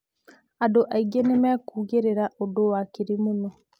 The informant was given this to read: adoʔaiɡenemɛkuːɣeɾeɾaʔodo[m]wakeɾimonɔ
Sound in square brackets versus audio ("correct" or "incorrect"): incorrect